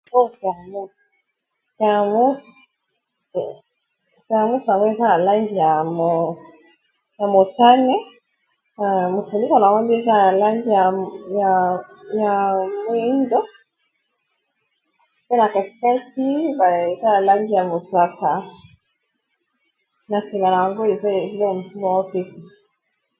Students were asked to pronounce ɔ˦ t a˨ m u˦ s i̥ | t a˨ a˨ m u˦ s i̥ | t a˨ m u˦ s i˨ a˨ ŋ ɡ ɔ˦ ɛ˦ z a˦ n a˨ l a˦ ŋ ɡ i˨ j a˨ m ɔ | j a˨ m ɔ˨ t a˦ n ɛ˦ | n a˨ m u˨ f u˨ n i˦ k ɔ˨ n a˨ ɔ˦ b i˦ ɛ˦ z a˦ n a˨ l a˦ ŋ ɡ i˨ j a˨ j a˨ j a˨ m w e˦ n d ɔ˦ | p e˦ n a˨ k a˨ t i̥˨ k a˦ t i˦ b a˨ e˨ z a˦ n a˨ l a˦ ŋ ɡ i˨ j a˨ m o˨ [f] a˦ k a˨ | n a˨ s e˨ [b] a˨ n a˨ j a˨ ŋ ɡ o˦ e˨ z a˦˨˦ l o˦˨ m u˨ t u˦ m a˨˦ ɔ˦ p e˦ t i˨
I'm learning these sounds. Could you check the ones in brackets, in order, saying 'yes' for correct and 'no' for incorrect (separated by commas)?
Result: no, no